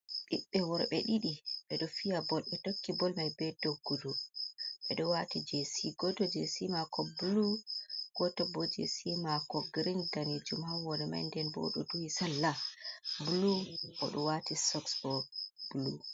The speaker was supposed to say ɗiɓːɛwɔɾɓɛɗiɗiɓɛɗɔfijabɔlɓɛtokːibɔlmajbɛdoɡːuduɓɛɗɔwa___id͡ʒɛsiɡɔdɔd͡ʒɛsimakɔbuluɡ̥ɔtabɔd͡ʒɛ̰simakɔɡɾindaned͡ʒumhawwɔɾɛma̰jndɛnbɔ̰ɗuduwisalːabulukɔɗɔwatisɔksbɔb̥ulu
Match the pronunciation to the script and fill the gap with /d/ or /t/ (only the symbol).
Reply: t